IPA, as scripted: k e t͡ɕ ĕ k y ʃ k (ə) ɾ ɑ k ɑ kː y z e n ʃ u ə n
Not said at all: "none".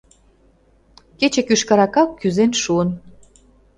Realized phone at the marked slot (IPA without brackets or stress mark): ɑ